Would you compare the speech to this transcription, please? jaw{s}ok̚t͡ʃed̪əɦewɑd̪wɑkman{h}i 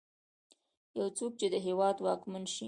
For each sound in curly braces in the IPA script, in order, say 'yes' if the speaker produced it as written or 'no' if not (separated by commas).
no, no